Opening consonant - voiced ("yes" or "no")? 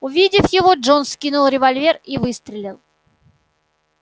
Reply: yes